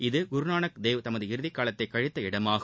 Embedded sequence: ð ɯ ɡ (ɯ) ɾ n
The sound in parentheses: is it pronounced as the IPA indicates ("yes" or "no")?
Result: no